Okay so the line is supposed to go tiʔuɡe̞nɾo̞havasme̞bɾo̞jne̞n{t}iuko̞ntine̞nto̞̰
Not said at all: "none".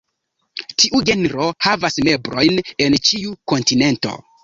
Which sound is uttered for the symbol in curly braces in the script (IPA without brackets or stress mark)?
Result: t͡ʃ